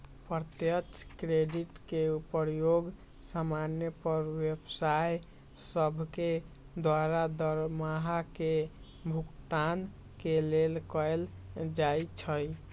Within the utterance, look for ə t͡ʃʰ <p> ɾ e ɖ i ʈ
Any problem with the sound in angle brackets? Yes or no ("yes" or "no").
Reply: yes